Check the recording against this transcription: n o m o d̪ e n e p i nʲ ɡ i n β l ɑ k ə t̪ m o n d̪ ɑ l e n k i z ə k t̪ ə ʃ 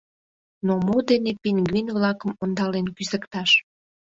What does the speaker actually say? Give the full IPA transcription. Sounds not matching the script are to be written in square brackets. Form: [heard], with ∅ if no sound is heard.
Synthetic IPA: n o m o d̪ e n e p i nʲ ɡ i n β l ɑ k ə [∅] m o n d̪ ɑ l e n k [y] z ə k t̪ [ɑ] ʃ